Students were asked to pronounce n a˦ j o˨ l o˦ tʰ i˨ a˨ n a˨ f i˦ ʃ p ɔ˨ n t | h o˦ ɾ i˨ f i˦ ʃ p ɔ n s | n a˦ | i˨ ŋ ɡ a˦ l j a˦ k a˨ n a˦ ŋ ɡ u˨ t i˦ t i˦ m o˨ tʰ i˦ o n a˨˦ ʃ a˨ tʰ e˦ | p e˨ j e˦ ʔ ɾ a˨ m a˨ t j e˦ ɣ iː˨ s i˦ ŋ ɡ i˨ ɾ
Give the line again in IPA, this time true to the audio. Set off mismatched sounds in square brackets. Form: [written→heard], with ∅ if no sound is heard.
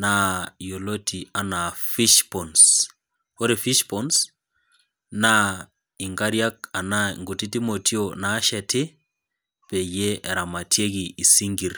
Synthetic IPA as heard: n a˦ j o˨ l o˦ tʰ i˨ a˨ n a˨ f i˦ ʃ p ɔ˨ n [t→s] | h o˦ ɾ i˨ f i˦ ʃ p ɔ n s | n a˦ | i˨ ŋ ɡ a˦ [l→ɾ] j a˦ k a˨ n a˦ ŋ ɡ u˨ t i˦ t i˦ m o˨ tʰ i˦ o n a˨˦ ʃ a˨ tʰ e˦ | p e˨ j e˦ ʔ ɾ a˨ m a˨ t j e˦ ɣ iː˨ s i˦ ŋ ɡ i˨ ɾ

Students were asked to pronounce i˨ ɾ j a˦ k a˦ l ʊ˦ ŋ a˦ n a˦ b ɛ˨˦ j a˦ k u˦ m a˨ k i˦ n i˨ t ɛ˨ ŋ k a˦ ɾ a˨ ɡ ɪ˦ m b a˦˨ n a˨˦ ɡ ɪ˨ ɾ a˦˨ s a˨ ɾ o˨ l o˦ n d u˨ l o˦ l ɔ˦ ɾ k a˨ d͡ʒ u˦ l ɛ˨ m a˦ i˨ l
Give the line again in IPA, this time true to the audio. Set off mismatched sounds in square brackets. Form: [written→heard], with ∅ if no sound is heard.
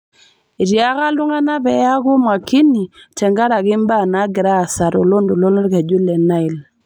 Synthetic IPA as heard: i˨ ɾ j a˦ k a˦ l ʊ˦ ŋ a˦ n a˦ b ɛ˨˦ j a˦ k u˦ m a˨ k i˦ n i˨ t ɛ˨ ŋ [k→ɡ] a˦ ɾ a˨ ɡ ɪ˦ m b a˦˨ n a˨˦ ɡ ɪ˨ ɾ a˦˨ s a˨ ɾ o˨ l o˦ n d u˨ l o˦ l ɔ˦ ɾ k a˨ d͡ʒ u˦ l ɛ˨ [m→n] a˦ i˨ l

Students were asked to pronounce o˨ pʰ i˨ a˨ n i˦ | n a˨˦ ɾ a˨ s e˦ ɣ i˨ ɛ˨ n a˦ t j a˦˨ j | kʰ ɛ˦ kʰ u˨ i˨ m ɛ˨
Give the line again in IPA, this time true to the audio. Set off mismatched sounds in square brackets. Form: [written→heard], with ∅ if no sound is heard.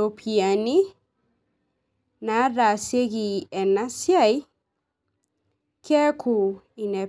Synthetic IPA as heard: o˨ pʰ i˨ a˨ n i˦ | n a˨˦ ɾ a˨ s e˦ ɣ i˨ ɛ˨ n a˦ [t→s] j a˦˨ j | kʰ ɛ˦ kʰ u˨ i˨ [m→n] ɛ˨

